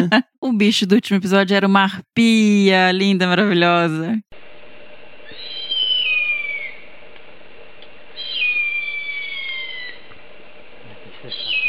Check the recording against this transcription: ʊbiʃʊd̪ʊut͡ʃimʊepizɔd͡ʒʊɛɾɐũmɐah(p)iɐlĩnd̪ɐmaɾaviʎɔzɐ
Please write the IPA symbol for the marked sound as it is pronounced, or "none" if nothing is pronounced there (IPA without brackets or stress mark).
p